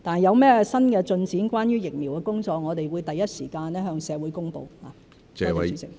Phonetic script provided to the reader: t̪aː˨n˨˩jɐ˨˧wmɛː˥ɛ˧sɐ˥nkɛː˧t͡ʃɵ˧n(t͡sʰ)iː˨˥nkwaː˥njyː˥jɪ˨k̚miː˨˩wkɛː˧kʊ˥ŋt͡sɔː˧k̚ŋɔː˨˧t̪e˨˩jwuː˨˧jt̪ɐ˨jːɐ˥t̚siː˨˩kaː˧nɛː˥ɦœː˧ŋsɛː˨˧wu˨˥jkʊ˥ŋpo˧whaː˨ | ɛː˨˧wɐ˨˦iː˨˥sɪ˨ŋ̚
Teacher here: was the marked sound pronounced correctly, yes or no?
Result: no